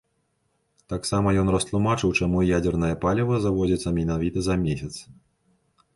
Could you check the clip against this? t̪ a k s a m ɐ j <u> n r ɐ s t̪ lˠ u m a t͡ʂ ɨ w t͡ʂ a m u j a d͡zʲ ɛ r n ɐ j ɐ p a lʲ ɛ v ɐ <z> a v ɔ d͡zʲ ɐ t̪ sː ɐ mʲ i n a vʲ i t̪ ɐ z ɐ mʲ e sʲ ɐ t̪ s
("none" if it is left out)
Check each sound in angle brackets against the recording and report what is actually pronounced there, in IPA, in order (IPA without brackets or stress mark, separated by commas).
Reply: ɔ, z